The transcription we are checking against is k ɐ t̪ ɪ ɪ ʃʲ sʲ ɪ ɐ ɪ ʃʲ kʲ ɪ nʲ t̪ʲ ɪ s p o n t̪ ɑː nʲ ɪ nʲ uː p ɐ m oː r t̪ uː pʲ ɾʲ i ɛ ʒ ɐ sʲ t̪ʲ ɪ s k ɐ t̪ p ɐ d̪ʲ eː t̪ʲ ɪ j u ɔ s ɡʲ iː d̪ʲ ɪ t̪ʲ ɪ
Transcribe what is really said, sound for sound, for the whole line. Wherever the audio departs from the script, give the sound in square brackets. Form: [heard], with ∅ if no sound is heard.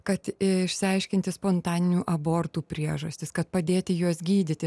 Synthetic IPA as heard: k ɐ t̪ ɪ ɪ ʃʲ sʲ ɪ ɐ ɪ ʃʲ kʲ ɪ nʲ t̪ʲ ɪ s p o n t̪ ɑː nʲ ɪ nʲ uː [ʔ] ɐ [b] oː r t̪ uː pʲ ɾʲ i ɛ ʒ ɐ sʲ t̪ʲ ɪ s k ɐ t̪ p ɐ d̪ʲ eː t̪ʲ ɪ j u ɔ s ɡʲ iː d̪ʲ ɪ t̪ʲ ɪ